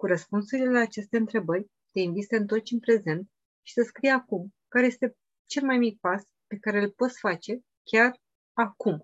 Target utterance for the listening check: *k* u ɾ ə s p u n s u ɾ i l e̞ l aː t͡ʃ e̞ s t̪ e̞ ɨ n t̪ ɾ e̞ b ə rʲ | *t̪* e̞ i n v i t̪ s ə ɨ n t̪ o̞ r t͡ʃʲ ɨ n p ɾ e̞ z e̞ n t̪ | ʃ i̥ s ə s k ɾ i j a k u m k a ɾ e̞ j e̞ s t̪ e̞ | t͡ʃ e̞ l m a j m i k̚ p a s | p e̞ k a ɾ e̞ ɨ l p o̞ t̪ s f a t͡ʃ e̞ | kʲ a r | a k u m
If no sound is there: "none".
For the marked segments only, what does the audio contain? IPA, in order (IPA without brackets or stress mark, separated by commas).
k, t̪